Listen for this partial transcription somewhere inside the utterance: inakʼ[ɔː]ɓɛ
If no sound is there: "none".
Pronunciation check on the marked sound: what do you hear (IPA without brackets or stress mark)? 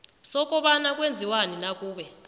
uː